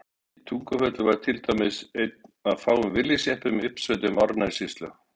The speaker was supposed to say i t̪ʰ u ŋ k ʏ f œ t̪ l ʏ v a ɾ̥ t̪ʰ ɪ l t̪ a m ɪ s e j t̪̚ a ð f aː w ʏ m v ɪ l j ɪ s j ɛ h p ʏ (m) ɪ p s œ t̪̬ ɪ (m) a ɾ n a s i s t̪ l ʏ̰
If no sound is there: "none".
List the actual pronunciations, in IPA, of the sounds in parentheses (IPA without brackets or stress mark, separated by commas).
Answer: m, m